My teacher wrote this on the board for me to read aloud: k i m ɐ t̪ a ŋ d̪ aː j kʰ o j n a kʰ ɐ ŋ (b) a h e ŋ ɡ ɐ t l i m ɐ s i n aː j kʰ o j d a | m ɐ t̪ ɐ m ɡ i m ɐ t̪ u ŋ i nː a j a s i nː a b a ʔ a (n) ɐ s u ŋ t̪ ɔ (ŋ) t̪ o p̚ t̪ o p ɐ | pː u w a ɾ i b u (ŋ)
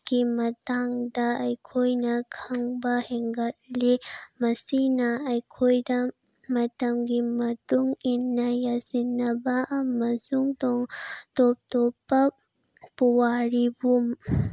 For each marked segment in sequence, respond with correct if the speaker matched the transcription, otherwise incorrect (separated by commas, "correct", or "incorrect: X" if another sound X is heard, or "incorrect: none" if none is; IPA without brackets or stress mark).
correct, incorrect: m, correct, incorrect: m